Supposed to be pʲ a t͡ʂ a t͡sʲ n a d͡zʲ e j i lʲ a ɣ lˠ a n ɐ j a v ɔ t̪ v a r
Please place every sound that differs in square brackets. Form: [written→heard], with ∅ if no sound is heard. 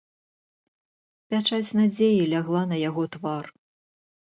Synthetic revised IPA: pʲ a t͡ʂ a t͡sʲ n a d͡zʲ e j i lʲ a ɣ lˠ a n ɐ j a [v→ɣ] ɔ t̪ v a r